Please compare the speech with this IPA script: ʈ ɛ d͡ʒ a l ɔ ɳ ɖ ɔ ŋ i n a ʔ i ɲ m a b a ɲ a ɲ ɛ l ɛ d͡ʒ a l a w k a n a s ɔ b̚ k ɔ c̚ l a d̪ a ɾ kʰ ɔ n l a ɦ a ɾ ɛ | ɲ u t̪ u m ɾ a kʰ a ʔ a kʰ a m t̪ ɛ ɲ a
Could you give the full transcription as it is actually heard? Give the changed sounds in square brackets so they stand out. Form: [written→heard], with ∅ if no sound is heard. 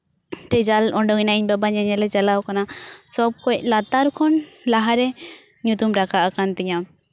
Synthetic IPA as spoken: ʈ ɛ d͡ʒ a l ɔ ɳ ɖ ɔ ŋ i n a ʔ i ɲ [m→b] a b a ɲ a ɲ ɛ l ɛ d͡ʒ a l a w k a n a s ɔ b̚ k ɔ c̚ l a [d̪→t̪] a ɾ kʰ ɔ n l a ɦ a ɾ ɛ | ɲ u t̪ u m ɾ a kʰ a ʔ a [kʰ→k] a [m→n] t̪ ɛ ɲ a